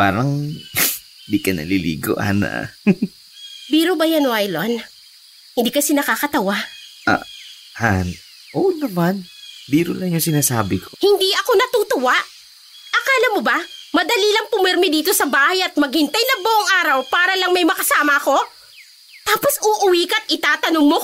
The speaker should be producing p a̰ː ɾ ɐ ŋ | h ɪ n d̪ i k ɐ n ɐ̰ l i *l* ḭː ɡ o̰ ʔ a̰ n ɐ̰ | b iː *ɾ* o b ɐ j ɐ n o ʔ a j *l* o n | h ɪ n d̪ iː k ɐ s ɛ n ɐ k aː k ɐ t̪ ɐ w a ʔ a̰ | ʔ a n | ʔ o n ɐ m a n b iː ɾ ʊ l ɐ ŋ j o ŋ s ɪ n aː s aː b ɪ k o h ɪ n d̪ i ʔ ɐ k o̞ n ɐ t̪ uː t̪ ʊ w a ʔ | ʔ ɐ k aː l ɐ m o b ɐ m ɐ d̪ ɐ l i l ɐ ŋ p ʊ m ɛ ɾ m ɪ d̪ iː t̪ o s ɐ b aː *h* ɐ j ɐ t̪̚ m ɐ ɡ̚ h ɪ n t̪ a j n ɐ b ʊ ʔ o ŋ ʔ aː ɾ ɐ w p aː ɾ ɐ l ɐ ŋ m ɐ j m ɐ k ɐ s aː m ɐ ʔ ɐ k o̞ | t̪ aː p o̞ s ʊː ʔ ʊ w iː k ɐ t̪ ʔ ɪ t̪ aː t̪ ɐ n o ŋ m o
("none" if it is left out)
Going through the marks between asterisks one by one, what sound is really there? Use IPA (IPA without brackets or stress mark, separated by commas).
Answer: l, ɾ, l, h